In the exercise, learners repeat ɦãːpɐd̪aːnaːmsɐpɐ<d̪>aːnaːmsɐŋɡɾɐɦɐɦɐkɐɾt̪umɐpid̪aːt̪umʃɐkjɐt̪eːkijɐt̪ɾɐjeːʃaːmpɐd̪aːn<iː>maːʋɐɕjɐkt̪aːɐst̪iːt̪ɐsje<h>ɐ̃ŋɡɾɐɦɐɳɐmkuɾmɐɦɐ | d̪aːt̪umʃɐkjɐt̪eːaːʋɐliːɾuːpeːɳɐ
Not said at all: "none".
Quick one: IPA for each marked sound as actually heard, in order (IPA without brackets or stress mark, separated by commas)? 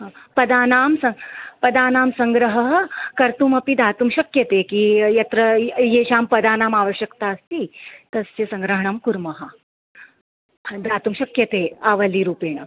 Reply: d̪, aː, s